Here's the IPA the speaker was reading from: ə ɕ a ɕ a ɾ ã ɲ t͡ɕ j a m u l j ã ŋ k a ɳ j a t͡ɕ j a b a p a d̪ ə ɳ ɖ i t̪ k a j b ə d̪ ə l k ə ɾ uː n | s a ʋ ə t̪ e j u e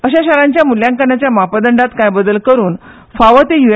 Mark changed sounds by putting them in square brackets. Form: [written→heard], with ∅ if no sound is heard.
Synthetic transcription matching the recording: ə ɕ a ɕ a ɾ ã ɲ t͡ɕ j a m u l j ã ŋ k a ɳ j a t͡ɕ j a [b→m] a p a d̪ ə ɳ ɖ [i→a] t̪ k a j b ə d̪ ə l k ə ɾ uː n | [s→f] a ʋ ə t̪ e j u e

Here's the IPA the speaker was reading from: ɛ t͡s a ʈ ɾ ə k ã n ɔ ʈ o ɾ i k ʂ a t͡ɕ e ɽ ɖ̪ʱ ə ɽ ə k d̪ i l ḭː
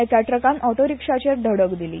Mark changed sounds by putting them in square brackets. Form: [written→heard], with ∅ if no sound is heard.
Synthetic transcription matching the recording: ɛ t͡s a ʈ ɾ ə k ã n ɔ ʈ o ɾ i k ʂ a t͡ɕ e [ɽ→ɾ] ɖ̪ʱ ə ɽ ə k d̪ i l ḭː

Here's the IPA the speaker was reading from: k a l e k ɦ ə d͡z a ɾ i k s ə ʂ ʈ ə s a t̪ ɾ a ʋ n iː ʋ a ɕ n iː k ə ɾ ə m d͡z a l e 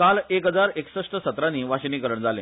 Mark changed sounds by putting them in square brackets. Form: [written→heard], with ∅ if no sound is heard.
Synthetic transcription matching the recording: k a l e k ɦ ə d͡z a ɾ [i→e] k s ə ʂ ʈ ə s [a→ə] t̪ ɾ a [ʋ→∅] n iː ʋ a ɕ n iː k ə ɾ ə [m→ɳ] d͡z a l e

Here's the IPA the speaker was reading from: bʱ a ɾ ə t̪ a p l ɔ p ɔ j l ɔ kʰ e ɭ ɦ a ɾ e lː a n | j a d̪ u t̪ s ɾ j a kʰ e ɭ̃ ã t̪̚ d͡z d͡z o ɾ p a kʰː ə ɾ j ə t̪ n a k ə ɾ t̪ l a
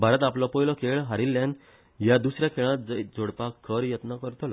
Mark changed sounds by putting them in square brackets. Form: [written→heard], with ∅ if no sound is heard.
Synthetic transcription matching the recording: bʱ a ɾ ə t̪ a p l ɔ p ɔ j l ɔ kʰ e ɭ ɦ a ɾ [e→i] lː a n | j a d̪ u [t̪→∅] s ɾ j a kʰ e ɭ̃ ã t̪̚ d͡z d͡z o [ɾ→ɽ] p a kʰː ə ɾ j ə t̪ n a k ə ɾ t̪ l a

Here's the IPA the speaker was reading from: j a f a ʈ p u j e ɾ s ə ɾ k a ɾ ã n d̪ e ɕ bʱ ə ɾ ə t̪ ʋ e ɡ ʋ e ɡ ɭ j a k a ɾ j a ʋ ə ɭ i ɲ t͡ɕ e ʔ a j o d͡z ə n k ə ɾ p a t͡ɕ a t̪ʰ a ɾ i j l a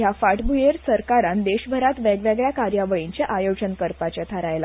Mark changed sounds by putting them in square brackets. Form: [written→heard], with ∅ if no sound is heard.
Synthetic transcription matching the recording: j a f a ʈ [p→b] u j e ɾ s ə ɾ k a ɾ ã n d̪ e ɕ bʱ ə ɾ [ə→a] t̪ ʋ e ɡ ʋ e ɡ ɭ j a k a ɾ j a ʋ ə ɭ i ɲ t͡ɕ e ʔ a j o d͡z ə n k ə ɾ p a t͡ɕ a t̪ʰ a ɾ [i→a] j l a

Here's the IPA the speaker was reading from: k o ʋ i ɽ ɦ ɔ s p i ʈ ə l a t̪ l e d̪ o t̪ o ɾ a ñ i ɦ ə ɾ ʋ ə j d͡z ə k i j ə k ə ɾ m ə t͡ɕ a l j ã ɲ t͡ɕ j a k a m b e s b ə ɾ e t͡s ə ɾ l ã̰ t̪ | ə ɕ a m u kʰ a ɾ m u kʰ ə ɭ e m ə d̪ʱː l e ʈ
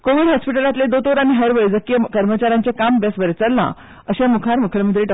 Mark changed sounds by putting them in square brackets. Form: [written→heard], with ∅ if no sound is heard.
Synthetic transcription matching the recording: k o ʋ i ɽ ɦ ɔ s p i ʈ ə l a t̪ l e d̪ o t̪ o ɾ a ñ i ɦ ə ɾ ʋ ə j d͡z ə k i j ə k ə ɾ m ə t͡ɕ a [l→ɾ] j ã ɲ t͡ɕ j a k a m b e s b ə ɾ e t͡s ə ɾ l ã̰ [t̪→∅] | ə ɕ a m u kʰ a ɾ m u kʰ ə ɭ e m ə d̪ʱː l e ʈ

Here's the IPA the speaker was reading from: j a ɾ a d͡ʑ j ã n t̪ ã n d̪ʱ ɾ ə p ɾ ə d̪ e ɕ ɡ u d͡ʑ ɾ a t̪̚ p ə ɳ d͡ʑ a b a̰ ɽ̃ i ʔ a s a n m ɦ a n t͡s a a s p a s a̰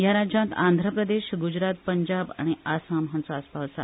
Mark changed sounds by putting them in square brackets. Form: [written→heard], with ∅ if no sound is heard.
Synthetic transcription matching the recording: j a ɾ a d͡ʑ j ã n t̪ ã n d̪ʱ ɾ ə p ɾ ə d̪ e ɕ ɡ u d͡ʑ ɾ a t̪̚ p ə [ɳ→ɲ] d͡ʑ a b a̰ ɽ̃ i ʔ a s a [n→∅] m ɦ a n t͡s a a s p a s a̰

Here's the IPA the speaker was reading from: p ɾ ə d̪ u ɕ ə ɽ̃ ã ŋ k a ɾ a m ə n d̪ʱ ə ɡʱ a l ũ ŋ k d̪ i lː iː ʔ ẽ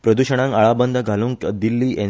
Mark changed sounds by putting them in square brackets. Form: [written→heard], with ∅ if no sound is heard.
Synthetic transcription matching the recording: p ɾ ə d̪ u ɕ ə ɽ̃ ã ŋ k a [ɾ→ɭ] a [m→b] ə n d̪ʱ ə ɡʱ a l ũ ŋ k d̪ i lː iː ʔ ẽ

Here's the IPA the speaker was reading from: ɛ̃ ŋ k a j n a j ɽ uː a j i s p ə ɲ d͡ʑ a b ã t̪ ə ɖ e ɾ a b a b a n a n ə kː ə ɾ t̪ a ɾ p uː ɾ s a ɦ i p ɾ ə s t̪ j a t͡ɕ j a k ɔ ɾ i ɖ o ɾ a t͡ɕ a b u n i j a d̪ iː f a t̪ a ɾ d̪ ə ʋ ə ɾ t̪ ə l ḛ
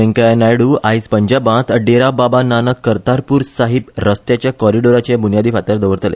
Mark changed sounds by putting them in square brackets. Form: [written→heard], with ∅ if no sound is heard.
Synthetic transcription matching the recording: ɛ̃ ŋ k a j n a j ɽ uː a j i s p ə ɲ d͡ʑ a b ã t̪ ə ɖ e ɾ a b a b a n a n ə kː ə ɾ t̪ a ɾ p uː ɾ s a ɦ i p ɾ ə s t̪ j a t͡ɕ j a k ɔ ɾ i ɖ o ɾ a t͡ɕ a b u n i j a d̪ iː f a t̪ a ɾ d̪ ə ʋ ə ɾ t̪ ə l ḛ

